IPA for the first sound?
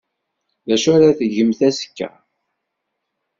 ð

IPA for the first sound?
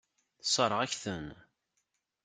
θ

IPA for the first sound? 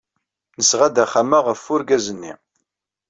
n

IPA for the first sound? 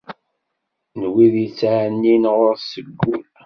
n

